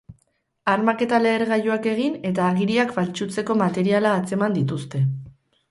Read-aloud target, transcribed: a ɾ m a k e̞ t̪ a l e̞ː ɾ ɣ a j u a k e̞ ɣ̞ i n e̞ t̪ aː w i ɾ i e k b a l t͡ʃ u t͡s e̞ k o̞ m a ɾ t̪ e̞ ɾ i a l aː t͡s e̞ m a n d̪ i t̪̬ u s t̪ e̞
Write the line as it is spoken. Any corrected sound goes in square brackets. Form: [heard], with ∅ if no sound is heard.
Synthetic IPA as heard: a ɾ m a k e̞ t̪ a l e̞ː ɾ ɣ a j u a k e̞ ɣ̞ i n e̞ t̪ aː [ɣ] i ɾ i [a] k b a l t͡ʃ u t͡s e̞ k o̞ m a [∅] t̪ e̞ ɾ i a l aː t͡s e̞ m a n d̪ i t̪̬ u s t̪ e̞